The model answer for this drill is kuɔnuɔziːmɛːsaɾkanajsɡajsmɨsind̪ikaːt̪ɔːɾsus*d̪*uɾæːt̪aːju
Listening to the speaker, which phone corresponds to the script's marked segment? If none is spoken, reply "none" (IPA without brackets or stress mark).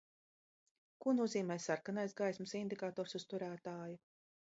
t̪